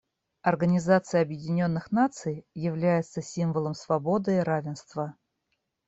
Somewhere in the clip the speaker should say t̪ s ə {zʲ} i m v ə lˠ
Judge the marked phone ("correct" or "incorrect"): incorrect